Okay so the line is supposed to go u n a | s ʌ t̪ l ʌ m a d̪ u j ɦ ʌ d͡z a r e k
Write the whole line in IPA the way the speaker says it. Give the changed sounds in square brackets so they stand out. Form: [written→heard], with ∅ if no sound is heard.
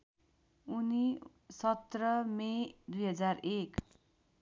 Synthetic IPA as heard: u n [a→i] | s ʌ t̪ [l→r] ʌ m [a→e] d̪ u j ɦ ʌ d͡z a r e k